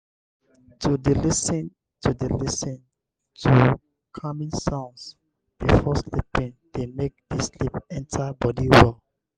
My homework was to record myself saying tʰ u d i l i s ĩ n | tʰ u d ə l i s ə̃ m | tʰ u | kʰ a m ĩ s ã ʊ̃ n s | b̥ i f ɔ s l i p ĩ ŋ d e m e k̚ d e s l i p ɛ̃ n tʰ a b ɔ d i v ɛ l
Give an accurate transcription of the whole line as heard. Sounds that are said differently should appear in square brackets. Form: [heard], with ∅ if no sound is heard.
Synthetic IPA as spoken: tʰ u d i l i s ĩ n | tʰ u d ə l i s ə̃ [n] | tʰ u | kʰ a m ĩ s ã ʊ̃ n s | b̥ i f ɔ s l i p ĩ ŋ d e m e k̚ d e s l i p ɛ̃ n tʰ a b ɔ d i [w] ɛ l